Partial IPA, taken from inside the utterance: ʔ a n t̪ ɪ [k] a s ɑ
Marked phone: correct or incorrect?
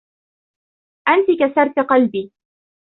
correct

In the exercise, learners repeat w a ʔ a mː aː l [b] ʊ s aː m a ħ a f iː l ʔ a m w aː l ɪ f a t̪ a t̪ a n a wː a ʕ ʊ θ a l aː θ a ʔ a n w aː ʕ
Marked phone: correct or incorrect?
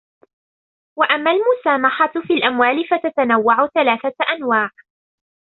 incorrect: m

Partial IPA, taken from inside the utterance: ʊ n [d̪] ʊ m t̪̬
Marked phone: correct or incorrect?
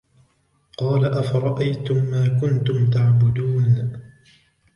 incorrect: t̪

